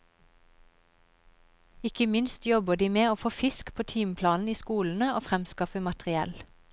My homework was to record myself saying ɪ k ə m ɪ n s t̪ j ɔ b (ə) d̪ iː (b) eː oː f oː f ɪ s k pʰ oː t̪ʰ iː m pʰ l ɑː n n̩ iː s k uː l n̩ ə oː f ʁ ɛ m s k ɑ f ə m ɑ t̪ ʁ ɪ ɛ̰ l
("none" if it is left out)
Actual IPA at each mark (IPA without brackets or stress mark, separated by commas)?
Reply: ə, m